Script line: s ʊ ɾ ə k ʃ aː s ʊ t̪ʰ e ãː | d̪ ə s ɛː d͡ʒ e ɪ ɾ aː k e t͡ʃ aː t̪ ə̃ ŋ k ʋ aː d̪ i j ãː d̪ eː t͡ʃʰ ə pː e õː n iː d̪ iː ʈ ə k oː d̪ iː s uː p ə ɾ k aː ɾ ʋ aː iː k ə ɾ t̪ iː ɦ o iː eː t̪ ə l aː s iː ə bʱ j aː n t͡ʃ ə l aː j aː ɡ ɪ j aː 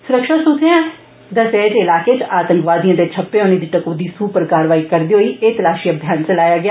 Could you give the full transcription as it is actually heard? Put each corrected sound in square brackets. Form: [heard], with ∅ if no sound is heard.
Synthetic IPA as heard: s ʊ ɾ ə k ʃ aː s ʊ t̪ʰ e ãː | d̪ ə s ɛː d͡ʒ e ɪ [l] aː k e t͡ʃ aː t̪ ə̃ ŋ k ʋ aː d̪ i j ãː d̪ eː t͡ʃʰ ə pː e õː n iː d̪ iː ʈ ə k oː d̪ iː s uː p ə ɾ k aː ɾ ʋ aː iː k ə ɾ [d̪] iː ɦ o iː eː t̪ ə l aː [ʃ] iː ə bʱ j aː n t͡ʃ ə l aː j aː ɡ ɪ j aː